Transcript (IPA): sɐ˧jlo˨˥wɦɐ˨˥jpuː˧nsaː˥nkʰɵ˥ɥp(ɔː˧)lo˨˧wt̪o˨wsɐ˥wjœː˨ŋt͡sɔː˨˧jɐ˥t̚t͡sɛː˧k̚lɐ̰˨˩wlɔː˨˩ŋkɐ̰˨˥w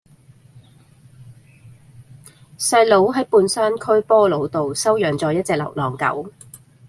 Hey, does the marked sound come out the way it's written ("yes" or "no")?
no